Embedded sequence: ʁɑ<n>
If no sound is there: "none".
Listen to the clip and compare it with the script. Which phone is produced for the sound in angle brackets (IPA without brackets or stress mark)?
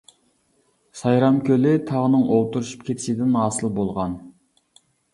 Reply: n